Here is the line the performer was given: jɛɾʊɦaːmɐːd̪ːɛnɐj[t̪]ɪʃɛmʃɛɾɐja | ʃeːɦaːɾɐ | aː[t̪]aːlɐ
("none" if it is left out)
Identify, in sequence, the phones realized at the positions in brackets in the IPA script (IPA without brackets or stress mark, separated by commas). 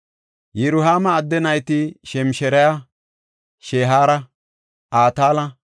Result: t̪, t̪